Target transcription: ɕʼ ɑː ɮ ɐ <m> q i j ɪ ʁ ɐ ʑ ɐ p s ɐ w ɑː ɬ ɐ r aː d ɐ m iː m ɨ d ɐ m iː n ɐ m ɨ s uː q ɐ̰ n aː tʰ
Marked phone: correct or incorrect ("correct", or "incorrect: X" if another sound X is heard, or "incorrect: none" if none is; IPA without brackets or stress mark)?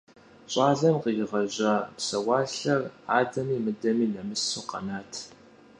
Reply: correct